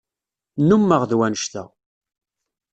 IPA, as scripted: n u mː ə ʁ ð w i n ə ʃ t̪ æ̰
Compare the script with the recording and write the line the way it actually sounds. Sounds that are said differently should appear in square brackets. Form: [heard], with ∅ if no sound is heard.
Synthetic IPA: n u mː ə ʁ ð w [æ] n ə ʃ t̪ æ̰